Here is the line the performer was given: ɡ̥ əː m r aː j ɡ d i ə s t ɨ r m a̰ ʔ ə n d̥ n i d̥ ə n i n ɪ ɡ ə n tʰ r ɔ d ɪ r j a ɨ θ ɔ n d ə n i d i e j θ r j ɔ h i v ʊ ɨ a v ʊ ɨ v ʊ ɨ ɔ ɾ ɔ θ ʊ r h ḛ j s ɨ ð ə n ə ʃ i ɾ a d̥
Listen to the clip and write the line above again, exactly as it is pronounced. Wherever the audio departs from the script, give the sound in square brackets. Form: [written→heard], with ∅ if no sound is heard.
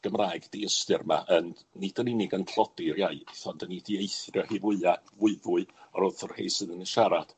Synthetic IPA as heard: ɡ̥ [əː→ə] m r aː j ɡ d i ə s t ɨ r m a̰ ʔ ə n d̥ n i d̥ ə n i n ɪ ɡ ə n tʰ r ɔ d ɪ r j a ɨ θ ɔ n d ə n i d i e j θ r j ɔ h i v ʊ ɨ a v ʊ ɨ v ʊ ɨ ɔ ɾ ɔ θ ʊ r h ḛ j s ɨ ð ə n ə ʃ [i→a] ɾ a d̥